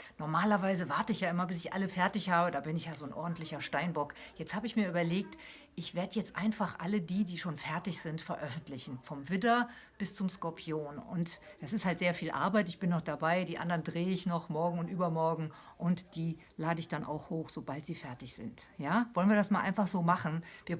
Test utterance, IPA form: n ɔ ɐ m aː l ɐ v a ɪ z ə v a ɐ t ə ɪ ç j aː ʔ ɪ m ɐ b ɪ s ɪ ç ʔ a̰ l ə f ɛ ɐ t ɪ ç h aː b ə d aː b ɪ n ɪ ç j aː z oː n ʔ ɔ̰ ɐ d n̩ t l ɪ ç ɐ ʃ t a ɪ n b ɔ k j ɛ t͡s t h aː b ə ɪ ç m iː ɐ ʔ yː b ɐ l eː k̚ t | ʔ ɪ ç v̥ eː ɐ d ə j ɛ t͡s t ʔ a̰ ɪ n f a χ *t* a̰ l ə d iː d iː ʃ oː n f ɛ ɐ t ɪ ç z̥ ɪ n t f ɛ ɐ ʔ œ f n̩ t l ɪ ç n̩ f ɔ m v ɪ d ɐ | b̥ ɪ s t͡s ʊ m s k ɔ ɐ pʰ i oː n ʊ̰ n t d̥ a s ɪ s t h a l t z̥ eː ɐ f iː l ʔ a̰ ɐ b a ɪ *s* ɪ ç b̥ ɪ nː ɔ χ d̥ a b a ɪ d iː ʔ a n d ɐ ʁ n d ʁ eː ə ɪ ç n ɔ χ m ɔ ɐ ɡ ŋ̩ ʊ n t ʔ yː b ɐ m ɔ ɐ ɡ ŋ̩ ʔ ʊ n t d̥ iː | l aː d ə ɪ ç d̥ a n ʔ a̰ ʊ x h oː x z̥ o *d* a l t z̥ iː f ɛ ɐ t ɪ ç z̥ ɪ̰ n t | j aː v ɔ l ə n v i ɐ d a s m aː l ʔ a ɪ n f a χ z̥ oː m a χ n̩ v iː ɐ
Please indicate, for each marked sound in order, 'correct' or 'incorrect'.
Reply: incorrect: ʔ, incorrect: t, incorrect: b

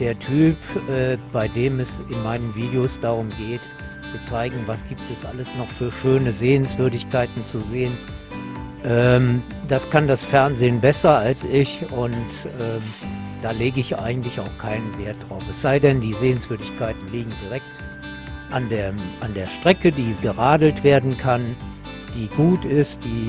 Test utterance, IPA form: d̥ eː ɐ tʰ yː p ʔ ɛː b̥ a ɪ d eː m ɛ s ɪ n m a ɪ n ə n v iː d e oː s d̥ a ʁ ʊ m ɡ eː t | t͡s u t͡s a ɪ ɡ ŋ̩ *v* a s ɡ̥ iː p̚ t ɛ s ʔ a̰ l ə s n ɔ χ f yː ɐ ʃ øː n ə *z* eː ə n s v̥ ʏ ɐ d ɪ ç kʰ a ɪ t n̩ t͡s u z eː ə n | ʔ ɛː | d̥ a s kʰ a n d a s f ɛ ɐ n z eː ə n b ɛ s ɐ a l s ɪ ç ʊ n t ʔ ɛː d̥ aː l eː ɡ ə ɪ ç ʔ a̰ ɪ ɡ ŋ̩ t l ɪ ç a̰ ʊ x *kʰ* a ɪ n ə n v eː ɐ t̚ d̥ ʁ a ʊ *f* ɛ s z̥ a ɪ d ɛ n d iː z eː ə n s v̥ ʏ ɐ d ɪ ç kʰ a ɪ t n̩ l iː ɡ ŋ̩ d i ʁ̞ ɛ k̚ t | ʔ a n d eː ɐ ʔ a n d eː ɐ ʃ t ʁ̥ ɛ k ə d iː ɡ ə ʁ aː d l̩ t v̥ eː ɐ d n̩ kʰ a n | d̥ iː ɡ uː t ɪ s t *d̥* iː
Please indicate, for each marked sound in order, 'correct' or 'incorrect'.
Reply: correct, correct, correct, correct, correct

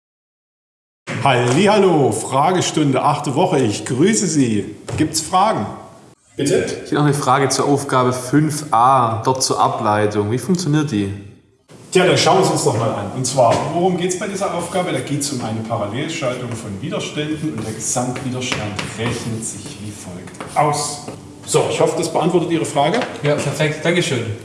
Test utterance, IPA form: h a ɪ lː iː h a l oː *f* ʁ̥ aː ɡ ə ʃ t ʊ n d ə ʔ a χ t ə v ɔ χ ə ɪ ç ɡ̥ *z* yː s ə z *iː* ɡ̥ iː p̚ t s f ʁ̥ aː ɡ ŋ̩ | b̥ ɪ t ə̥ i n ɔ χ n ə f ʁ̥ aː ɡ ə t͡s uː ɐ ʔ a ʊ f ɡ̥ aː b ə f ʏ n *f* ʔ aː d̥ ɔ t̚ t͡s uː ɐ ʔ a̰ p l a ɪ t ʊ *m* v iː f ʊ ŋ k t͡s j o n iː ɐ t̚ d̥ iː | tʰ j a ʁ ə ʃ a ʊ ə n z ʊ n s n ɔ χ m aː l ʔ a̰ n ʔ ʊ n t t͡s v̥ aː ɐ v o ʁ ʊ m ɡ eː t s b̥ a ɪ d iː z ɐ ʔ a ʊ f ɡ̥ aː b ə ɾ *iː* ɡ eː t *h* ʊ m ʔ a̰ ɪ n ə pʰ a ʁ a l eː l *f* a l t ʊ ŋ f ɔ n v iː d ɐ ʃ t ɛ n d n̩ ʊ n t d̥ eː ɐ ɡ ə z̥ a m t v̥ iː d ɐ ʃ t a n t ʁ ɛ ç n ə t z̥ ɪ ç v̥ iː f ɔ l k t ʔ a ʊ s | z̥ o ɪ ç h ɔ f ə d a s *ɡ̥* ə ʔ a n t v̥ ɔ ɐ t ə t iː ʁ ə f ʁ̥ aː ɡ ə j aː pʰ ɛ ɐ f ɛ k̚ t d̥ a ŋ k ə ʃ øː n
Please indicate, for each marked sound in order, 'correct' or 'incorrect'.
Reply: correct, incorrect: ʁ, correct, correct, incorrect: ŋ, incorrect: aː, incorrect: s, incorrect: ʃ, incorrect: b̥

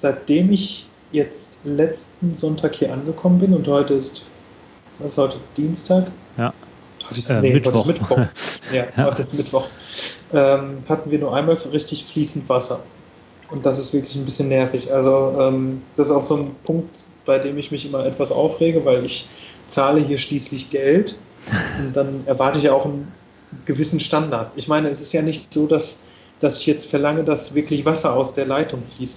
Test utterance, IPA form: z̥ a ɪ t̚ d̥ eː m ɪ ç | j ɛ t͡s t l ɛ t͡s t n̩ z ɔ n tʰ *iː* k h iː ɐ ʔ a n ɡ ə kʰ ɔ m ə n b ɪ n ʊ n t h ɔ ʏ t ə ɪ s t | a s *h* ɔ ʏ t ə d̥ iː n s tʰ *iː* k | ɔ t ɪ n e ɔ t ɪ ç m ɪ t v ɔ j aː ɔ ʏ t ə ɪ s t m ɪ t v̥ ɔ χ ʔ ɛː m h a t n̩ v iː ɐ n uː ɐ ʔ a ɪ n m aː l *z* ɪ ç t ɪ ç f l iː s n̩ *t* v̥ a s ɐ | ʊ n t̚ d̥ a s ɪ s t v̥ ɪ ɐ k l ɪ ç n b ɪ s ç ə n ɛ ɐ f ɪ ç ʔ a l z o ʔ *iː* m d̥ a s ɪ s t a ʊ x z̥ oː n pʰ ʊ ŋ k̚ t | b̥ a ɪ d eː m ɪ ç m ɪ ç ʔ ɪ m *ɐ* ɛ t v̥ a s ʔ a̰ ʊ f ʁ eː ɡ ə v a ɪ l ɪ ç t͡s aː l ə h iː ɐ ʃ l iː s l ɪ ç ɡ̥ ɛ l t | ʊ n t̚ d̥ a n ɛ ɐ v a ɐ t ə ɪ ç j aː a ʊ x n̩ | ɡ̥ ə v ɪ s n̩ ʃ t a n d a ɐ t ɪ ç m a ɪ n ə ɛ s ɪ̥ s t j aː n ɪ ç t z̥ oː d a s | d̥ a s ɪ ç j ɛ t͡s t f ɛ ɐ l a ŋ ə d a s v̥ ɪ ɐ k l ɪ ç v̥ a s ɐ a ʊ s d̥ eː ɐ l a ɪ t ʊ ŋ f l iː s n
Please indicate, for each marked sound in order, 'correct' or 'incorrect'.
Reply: incorrect: aː, correct, incorrect: aː, incorrect: ʁ, correct, incorrect: ɛː, correct

